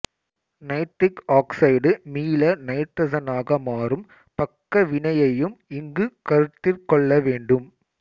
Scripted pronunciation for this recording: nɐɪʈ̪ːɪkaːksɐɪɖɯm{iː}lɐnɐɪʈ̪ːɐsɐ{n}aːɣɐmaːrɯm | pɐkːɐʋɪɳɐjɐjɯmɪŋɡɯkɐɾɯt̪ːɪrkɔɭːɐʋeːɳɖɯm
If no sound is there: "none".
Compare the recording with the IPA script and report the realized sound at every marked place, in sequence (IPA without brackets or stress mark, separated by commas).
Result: iː, n